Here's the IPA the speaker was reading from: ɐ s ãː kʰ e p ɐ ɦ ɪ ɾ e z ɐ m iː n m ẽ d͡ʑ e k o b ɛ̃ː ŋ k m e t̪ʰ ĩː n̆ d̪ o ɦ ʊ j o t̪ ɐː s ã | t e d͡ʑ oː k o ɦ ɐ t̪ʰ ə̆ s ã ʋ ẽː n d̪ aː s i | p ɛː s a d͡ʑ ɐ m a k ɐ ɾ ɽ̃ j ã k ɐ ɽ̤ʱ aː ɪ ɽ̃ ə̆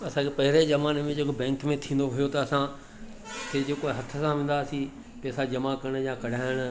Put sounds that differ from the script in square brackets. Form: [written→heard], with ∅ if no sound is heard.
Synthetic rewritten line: ɐ s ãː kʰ e p ɐ ɦ ɪ ɾ e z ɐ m [iː→aː] n m ẽ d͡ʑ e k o b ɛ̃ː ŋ k m [e→ẽ] t̪ʰ ĩː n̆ d̪ o ɦ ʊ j o t̪ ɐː s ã | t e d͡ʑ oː k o ɦ ɐ t̪ʰ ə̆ s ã ʋ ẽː n d̪ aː s i | p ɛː s a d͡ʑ ɐ m a k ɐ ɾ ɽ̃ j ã k ɐ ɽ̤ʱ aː ɪ ɽ̃ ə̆